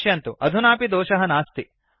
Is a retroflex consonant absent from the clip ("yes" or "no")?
yes